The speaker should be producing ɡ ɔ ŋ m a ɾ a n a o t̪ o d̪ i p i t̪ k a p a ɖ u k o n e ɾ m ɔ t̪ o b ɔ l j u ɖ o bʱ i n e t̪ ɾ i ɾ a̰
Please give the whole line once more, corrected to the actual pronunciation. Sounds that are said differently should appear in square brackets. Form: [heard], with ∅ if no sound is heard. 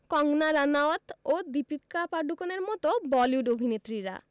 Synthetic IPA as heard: [k] ɔ ŋ [n] a ɾ a n a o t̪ o d̪ i p i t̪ k a p a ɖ u k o n e ɾ m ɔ t̪ o b ɔ l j u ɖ o bʱ i n e t̪ ɾ i ɾ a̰